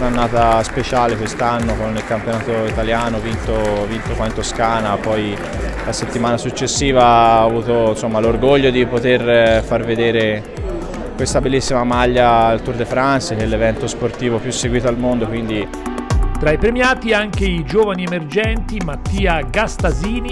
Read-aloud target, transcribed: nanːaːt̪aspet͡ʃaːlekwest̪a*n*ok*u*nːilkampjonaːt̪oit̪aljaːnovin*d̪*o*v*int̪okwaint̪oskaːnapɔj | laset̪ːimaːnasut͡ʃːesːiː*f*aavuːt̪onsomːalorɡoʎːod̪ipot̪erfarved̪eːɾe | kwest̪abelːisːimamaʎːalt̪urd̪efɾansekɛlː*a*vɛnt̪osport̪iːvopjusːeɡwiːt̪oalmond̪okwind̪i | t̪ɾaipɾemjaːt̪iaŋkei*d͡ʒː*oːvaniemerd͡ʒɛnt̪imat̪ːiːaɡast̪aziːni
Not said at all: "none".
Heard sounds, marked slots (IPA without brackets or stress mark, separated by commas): nː, o, t̪, v, v, e, d͡ʒ